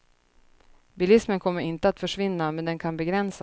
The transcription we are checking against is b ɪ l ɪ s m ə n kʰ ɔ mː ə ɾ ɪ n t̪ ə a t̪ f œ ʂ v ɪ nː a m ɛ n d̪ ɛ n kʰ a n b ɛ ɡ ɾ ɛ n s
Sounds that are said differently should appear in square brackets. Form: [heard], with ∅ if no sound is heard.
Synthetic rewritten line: b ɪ l ɪ s m ə n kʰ ɔ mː ə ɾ ɪ n t̪ ə a t̪ f œ ʂ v ɪ nː a m ɛ n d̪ ɛ n kʰ a n b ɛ ɡ ɾ ɛ n s